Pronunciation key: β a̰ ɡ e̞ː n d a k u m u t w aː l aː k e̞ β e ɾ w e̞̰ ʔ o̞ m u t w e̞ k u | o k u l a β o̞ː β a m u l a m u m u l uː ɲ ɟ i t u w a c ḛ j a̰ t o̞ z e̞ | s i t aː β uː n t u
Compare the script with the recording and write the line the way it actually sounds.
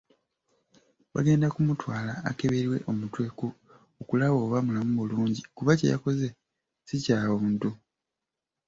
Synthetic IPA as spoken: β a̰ ɡ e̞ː n d a k u m u t w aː l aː k e̞ β e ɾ w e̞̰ ʔ o̞ m u t w e̞ k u | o k u l a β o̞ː β a m u l a m u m u l uː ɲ ɟ i k u β a c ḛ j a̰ k o̞ z e̞ | s i c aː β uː n t u

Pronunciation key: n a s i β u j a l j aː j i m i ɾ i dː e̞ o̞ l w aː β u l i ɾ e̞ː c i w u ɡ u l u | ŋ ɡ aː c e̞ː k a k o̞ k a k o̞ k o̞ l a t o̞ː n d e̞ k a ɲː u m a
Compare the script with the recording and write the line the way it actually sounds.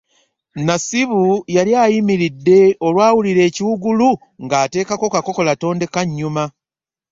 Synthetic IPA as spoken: n a s i β u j a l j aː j i m i ɾ i dː e̞ o̞ l w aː w u l i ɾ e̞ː c i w u ɡ u l u | ŋ ɡ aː t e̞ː k a k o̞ k a k o̞ k o̞ l a t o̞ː n d e̞ k a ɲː u m a

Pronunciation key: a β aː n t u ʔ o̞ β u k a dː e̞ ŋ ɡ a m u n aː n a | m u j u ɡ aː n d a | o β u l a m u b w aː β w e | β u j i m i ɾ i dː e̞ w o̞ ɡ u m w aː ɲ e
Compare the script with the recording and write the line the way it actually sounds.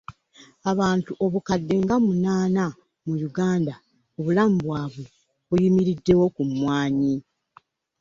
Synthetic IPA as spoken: a β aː n t u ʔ o̞ β u k a dː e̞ ŋ ɡ a m u n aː n a | m u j u ɡ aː n d a | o β u l a m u b w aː β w e | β u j i m i ɾ i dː e̞ w o̞ k u m w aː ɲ i

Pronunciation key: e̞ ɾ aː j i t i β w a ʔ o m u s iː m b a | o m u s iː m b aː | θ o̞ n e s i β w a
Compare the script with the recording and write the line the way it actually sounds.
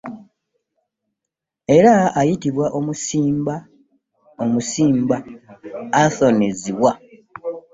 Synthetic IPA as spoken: e̞ ɾ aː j i t i β w a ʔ o m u s iː m b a | o m u s iː m b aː | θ o̞ n e z i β w a

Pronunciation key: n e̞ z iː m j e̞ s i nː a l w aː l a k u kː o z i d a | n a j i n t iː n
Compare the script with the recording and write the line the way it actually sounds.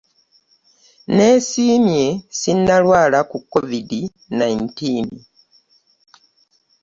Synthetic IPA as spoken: n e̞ s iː m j e̞ s i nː a l w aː l a k u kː o v i d i | n a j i n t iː n

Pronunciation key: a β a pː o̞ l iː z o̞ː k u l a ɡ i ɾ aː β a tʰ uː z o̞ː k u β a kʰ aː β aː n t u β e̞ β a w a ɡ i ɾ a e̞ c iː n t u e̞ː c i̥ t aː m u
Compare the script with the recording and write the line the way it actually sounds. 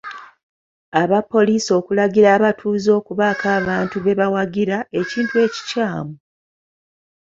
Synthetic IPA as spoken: a β a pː o̞ l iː s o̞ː k u l a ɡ i ɾ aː β a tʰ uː z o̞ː k u β a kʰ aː β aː n t u β e̞ β a w a ɡ i ɾ a e̞ c iː n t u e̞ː c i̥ c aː m u

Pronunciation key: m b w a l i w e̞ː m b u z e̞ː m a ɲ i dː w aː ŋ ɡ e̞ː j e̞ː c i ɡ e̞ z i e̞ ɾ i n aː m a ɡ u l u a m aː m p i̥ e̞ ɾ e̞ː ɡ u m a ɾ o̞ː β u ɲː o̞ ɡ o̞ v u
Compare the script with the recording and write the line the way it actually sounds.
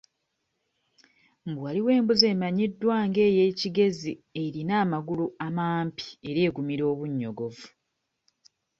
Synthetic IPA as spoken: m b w a l i w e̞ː m b u z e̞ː m a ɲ i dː w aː ŋ ɡ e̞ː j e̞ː c i ɡ e̞ z i e̞ ɾ i n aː m a ɡ u l u a m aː m p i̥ e̞ ɾ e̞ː ɡ u m i ɾ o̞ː β u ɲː o̞ ɡ o̞ v u

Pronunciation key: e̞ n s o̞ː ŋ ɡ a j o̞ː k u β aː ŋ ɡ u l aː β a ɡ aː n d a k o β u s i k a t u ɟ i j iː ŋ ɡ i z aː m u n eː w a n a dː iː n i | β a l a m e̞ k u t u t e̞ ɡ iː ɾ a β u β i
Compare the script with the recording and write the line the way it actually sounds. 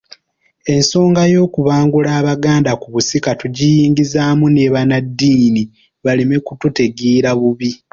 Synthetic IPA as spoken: e̞ n s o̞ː ŋ ɡ a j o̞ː k u β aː ŋ ɡ u l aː β a ɡ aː n d a k u β u s i k a t u ɟ i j iː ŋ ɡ i z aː m u n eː β a n a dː iː n i | β a l i m e̞ k u t u t e̞ ɡ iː ɾ a β u β i

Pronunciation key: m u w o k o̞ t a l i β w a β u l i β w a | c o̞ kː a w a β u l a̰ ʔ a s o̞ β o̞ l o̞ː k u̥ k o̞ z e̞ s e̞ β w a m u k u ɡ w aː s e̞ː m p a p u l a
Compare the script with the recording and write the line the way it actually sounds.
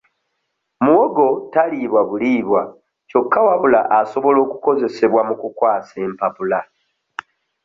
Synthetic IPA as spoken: m u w o ɡ o̞ t a l i β w a β u l i β w a | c o̞ kː a w a β u l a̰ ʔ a s o̞ β o̞ l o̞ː k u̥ k o̞ z e̞ s e̞ β w a m u k u k w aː s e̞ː m p a p u l a

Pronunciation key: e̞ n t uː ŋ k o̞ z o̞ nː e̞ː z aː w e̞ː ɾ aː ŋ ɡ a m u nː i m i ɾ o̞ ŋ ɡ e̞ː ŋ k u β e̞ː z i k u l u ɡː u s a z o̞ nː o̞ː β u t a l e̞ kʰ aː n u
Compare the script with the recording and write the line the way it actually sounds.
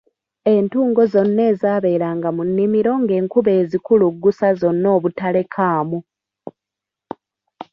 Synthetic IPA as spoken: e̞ n t uː ŋ ɡ o̞ z o̞ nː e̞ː z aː β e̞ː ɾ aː ŋ ɡ a m u nː i m i ɾ o̞ ŋ ɡ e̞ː ŋ k u β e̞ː z i k u l u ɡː u s a z o̞ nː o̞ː β u t a l e̞ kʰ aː m u

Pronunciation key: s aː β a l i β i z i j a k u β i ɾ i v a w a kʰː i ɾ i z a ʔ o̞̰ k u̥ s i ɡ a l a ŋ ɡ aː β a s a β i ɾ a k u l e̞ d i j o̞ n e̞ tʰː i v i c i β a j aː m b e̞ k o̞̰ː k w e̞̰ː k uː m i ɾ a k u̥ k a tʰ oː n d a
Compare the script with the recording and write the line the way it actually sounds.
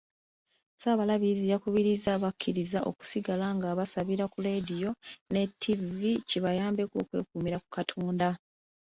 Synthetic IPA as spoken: s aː β a l a β i z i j a k u β i ɾ i z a β a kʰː i ɾ i z a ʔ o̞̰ k u̥ s i ɡ a l a ŋ ɡ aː β a s a β i ɾ a k u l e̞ d i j o̞ n e̞ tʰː i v i c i β a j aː m b e̞ k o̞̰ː k w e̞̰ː k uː m i ɾ a k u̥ k a tʰ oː n d a

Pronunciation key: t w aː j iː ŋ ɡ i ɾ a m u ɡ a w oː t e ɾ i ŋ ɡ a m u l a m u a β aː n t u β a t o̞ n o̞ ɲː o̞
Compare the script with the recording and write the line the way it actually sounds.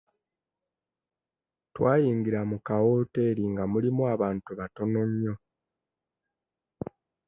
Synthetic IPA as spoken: t w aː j iː ŋ ɡ i ɾ a m u k a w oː t e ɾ i ŋ ɡ a m u l i m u a β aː n t u β a t o̞ n o̞ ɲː o̞

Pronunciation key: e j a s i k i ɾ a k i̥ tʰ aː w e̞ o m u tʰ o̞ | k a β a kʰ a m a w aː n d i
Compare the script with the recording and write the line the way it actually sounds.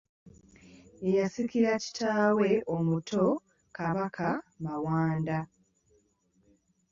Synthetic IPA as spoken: e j a s i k i ɾ a c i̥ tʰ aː w e̞ o m u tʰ o̞ | k a β a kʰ a m a w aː n d a

